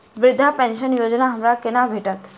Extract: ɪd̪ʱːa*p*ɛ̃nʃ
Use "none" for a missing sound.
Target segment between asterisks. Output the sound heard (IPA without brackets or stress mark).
p